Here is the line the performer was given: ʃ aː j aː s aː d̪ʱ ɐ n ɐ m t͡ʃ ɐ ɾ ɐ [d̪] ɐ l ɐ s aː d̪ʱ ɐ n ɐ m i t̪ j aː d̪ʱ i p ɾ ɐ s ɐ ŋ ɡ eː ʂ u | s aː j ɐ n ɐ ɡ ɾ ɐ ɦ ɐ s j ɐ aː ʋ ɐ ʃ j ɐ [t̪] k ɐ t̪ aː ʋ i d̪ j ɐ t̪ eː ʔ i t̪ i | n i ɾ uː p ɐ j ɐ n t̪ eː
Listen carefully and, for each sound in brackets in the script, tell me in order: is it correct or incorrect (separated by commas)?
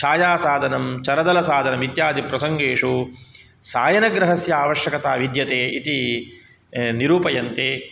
correct, incorrect